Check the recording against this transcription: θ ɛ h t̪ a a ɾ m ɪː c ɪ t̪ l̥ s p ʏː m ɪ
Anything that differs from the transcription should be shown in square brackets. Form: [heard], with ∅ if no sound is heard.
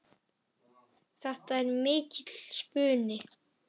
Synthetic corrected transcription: θ ɛ h t̪ a [ɛ] ɾ m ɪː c ɪ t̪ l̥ s p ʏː [n] ɪ